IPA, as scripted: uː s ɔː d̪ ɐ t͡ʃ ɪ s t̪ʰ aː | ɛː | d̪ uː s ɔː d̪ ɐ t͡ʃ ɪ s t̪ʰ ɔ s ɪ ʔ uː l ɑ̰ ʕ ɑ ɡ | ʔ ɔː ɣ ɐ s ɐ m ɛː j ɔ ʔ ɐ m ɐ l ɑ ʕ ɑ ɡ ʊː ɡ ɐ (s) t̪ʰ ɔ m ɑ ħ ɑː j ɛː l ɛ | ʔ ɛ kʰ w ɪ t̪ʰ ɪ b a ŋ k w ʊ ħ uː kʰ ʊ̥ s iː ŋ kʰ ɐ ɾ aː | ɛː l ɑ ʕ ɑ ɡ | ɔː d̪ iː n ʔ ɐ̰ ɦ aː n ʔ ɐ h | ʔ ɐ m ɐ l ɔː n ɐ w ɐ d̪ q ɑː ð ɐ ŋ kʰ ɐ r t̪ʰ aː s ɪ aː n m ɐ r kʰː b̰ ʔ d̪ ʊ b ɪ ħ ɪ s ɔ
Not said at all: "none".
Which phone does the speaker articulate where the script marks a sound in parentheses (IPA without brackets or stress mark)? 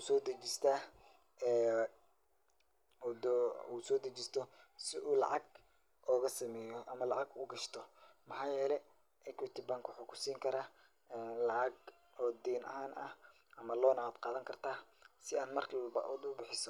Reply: ʃ